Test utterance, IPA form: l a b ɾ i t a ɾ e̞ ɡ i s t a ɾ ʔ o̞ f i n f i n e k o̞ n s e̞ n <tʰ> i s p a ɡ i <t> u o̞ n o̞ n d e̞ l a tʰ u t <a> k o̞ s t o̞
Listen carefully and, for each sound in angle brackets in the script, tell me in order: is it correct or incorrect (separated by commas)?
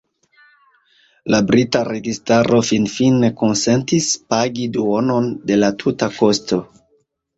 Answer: incorrect, incorrect, correct